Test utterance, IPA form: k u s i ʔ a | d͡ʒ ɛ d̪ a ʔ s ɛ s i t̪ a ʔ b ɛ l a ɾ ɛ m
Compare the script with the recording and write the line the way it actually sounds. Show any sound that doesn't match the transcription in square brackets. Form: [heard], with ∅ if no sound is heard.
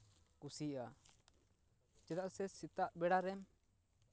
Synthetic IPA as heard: k u s i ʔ a | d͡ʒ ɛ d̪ a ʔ s ɛ s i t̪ a ʔ b ɛ [ɽ] a ɾ ɛ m